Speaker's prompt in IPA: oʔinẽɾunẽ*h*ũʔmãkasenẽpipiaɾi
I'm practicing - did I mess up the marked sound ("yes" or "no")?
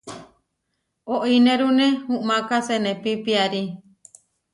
no